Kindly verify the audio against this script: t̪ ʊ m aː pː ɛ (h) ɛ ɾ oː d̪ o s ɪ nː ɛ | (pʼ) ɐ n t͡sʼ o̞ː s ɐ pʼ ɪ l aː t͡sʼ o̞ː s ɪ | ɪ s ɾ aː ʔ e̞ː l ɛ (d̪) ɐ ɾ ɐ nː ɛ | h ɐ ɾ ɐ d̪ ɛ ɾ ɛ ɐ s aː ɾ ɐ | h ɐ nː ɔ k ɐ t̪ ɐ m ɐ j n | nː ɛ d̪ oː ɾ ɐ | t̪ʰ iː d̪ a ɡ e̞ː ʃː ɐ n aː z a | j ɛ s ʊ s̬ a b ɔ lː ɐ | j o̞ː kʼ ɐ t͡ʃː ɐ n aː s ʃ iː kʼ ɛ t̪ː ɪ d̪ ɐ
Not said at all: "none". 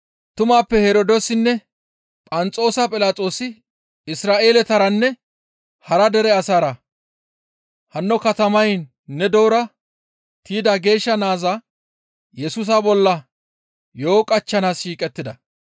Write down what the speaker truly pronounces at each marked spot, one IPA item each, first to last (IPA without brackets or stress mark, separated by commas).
h, pʼ, t̪